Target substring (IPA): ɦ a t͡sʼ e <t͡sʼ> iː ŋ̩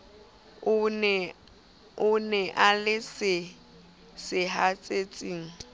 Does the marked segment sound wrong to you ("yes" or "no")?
no